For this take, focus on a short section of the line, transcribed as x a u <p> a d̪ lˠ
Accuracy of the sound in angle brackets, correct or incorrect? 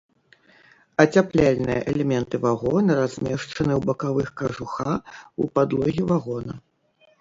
correct